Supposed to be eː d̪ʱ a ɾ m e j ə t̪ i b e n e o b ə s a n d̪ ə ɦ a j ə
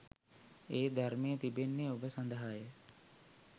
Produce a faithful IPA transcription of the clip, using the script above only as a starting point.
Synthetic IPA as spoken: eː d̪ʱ a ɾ m e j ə t̪ i b e nː e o b ə s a n d̪ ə ɦ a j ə